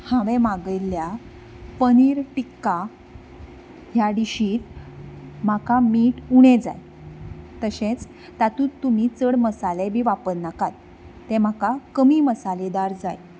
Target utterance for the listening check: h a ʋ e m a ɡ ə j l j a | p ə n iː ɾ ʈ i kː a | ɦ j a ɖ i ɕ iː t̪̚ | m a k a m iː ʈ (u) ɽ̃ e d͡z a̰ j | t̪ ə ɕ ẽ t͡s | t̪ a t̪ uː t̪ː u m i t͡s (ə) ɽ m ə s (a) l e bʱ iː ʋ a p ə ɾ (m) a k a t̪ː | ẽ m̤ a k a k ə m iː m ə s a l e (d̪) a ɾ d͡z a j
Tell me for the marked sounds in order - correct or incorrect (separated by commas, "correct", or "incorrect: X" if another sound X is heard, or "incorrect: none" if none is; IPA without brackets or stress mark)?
correct, correct, correct, incorrect: n, correct